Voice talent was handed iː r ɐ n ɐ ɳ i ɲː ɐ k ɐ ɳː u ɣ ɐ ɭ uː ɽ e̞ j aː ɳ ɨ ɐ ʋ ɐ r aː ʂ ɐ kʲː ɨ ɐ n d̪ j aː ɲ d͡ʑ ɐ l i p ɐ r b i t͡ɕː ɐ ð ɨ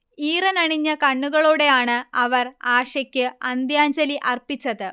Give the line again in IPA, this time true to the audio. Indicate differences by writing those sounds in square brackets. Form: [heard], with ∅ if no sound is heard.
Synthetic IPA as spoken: iː r ɐ n ɐ ɳ i ɲː ɐ k ɐ ɳː u ɣ ɐ ɭ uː ɽ e̞ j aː ɳ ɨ ɐ ʋ ɐ r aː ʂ ɐ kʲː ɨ ɐ n d̪ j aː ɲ d͡ʑ ɐ l i [ʔ] ɐ r [p] i t͡ɕː ɐ ð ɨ